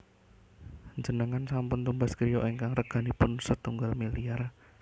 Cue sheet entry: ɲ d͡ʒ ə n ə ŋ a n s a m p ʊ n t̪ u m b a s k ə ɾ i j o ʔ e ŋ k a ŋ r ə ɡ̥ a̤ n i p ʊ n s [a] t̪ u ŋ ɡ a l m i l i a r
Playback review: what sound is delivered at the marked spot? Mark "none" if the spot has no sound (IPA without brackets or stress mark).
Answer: ə